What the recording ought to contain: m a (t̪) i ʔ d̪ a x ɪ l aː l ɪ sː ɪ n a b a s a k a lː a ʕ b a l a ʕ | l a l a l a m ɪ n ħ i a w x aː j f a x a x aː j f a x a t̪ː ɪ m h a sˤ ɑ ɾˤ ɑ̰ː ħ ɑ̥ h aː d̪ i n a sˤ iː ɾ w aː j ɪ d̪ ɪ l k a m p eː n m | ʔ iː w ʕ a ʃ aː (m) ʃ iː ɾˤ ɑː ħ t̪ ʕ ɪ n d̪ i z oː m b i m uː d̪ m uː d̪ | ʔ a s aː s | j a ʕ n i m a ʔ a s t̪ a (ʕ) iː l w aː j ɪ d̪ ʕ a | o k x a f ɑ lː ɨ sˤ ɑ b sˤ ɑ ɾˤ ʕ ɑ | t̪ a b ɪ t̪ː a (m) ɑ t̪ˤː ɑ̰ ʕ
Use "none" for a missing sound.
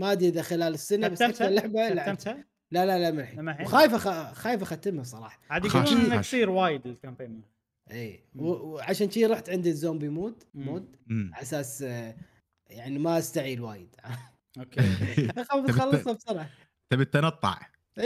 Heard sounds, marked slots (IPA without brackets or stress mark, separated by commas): d̪, n, ʕ, n